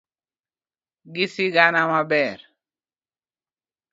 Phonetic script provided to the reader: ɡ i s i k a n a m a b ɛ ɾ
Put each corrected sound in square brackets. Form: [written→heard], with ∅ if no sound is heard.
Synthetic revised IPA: ɡ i s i [k→ɡ] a n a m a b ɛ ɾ